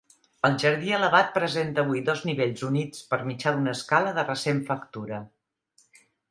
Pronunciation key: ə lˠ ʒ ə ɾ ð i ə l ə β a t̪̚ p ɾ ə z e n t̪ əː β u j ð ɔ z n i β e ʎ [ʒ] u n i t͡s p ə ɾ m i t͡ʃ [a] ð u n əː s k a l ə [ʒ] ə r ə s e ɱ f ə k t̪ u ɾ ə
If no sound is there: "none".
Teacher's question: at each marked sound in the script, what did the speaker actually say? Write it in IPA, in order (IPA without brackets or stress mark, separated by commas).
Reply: z, a, ð